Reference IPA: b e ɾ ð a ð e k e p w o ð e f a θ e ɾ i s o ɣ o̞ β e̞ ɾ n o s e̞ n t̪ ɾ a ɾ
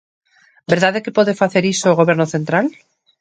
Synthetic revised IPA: b e ɾ ð a ð e k e p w o ð e f a θ e ɾ i s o ɣ o̞ β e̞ ɾ n o θ e̞ n t̪ ɾ a l